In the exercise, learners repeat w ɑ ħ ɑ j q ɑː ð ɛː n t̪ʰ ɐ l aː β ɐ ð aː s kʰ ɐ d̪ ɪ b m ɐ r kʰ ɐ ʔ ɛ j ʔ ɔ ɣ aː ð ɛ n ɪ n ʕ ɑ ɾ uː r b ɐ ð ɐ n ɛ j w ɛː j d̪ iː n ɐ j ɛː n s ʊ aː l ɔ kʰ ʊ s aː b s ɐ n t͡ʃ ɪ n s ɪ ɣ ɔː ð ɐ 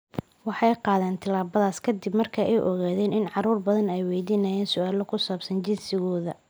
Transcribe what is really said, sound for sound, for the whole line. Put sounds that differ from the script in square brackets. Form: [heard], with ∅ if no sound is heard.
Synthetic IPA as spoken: w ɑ ħ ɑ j q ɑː ð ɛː n t̪ʰ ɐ l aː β ɐ ð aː s kʰ ɐ d̪ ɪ b m ɐ r kʰ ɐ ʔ ɛ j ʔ ɔ ɣ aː ð [ɛː] n ɪ n ʕ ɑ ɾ uː r b ɐ ð ɐ n ɛ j w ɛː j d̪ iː n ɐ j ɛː n s ʊ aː l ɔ kʰ ʊ s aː b s ɐ n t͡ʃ ɪ n s ɪ ɣ ɔː ð ɐ